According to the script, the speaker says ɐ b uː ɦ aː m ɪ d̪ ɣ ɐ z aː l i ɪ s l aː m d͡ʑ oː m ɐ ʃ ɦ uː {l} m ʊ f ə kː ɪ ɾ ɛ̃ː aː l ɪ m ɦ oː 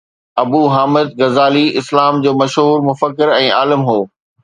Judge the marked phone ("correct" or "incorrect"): incorrect